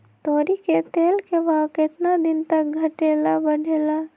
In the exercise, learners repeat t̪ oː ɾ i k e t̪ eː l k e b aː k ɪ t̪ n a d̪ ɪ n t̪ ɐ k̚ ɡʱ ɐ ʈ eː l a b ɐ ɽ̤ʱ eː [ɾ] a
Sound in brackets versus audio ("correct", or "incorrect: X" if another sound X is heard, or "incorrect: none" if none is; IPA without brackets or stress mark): incorrect: l